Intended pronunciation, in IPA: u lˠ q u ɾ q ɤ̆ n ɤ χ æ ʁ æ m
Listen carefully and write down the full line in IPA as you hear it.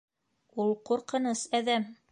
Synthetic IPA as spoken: u lˠ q u ɾ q ɤ̆ n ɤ s æ ð æ m